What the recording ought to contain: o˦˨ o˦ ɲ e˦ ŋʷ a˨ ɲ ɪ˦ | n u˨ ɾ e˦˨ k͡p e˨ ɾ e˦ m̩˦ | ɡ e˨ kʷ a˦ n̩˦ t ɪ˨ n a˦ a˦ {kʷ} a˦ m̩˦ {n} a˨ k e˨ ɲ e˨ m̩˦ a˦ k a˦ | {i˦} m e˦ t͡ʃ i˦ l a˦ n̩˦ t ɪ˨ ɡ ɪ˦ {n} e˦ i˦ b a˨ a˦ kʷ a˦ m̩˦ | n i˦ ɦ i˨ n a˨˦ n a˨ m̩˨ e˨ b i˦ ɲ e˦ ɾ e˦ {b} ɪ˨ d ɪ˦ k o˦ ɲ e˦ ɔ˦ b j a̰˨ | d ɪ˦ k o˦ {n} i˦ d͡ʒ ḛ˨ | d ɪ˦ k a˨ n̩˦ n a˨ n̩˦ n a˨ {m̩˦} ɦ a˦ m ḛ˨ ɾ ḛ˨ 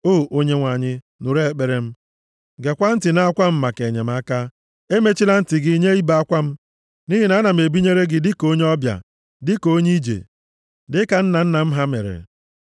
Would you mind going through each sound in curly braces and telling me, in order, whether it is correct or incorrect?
correct, incorrect: m, incorrect: e˦, incorrect: ɲ, incorrect: ɡ, incorrect: ɲ, correct

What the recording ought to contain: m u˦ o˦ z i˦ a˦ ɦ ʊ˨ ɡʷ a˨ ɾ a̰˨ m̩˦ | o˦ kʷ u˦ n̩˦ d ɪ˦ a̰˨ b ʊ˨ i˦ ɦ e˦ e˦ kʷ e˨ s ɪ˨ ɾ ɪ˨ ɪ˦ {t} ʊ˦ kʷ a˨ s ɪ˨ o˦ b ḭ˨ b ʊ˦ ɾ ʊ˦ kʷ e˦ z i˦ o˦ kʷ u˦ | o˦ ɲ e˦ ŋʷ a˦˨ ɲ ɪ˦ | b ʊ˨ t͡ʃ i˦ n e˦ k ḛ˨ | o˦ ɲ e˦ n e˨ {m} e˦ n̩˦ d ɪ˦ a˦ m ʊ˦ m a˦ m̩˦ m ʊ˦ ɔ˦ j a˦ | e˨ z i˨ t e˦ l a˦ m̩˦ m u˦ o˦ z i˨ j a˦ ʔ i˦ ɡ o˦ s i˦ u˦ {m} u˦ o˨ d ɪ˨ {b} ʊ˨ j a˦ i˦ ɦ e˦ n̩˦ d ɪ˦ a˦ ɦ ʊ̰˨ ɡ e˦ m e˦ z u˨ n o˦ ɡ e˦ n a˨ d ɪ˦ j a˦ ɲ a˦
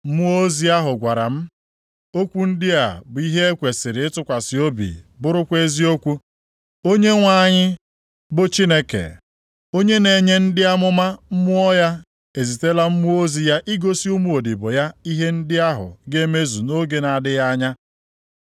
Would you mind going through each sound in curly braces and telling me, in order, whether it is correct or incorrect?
correct, incorrect: ɲ, correct, correct

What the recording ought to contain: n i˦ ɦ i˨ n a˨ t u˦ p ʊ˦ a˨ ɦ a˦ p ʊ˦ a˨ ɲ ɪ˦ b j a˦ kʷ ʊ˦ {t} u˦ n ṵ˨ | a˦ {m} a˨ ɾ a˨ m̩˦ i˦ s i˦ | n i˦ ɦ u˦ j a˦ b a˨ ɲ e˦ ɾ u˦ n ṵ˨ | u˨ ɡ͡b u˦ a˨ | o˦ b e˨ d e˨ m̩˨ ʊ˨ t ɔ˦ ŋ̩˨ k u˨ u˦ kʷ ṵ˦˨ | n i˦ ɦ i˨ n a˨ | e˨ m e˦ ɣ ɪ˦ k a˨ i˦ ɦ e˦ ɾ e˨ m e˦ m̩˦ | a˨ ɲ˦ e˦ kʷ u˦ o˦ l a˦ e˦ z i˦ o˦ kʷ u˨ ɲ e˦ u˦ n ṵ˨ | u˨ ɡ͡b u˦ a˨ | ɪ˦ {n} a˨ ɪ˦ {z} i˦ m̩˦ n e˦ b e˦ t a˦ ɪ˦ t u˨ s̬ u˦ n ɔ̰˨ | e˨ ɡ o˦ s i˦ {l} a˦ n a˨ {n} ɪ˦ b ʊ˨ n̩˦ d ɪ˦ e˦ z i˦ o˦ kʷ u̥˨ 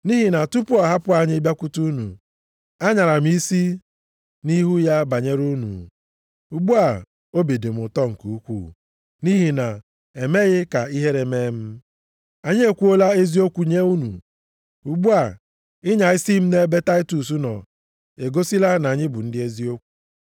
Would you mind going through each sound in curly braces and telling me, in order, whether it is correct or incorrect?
correct, incorrect: ɲ, incorrect: ɲ, incorrect: s, correct, incorrect: ɲ

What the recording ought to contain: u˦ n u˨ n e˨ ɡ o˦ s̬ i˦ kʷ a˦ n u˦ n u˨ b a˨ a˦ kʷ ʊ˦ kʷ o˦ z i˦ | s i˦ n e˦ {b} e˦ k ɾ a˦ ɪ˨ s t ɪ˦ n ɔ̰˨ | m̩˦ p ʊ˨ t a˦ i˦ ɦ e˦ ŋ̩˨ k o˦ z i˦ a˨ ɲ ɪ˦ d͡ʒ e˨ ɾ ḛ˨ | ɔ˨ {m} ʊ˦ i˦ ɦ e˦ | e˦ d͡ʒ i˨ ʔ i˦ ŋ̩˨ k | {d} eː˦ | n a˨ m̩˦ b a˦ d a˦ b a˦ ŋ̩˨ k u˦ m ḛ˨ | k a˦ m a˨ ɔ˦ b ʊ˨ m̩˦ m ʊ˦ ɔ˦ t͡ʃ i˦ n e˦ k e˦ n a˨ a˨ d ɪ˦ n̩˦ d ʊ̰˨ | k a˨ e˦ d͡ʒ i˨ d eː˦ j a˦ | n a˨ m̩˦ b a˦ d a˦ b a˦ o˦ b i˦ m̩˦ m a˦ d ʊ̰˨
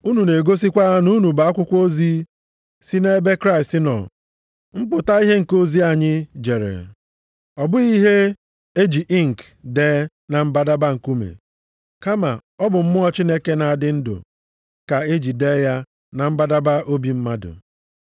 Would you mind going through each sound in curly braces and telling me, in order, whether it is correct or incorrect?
correct, incorrect: b, correct

